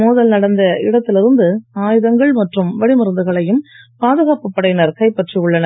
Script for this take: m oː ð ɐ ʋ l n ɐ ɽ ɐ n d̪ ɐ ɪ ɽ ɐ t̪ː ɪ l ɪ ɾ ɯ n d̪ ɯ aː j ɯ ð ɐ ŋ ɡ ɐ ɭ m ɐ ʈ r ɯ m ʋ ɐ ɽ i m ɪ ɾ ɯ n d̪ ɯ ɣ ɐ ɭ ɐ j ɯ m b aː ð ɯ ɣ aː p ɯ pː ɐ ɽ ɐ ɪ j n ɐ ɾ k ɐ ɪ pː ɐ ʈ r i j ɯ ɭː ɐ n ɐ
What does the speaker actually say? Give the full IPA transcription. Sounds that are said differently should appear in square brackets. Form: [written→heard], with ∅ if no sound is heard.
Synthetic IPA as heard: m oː ð ɐ [ʋ→∅] l n ɐ ɽ ɐ n d̪ ɐ ɪ ɽ ɐ t̪ː ɪ l ɪ ɾ ɯ n d̪ ɯ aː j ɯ ð ɐ ŋ ɡ ɐ ɭ m ɐ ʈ r ɯ m ʋ ɐ ɽ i m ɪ ɾ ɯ n d̪ ɯ ɣ ɐ ɭ ɐ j ɯ m [b→p] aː ð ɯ ɣ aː p ɯ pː ɐ ɽ ɐ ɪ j n ɐ ɾ k ɐ ɪ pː ɐ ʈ r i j ɯ ɭː ɐ n ɐ